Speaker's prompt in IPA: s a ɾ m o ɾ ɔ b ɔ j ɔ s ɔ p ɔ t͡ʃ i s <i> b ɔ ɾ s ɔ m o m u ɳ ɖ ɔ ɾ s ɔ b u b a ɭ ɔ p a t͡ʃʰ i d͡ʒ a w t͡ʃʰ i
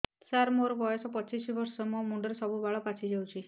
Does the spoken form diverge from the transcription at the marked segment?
no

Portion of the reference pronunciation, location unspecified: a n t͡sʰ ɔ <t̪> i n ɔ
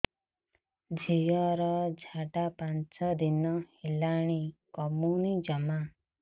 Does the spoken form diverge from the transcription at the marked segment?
yes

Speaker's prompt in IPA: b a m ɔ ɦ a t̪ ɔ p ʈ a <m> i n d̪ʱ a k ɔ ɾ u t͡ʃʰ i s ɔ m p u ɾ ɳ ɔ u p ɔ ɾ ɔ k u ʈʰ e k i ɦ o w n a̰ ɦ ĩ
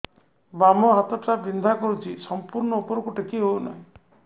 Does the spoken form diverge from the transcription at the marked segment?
yes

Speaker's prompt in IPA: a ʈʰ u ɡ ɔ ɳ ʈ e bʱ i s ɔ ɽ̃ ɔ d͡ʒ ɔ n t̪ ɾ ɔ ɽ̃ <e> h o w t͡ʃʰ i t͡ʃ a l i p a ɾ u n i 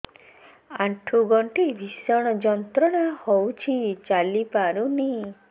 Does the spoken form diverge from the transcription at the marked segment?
yes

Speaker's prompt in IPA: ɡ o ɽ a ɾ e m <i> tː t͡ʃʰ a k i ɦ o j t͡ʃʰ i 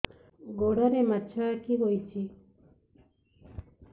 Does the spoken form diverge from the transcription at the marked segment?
yes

